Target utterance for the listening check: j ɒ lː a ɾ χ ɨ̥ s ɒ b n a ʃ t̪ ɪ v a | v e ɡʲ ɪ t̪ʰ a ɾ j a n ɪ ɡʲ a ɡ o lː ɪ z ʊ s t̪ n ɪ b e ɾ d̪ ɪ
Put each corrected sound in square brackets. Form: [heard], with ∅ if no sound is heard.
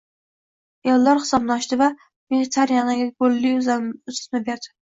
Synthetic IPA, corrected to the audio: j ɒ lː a ɾ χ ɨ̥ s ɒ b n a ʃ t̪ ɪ v a | v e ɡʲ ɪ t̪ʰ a ɾ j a n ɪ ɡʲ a ɡ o lː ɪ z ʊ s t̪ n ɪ b e ɾ d̪ ɪ